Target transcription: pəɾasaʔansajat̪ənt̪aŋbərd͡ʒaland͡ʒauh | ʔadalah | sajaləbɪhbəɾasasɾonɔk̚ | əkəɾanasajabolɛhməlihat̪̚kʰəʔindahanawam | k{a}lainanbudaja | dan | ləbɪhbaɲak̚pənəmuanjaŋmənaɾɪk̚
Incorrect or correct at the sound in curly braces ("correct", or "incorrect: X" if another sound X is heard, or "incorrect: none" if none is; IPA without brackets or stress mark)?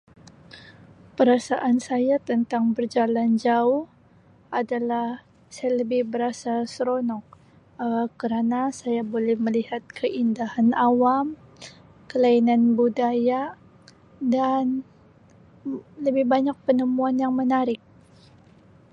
incorrect: ə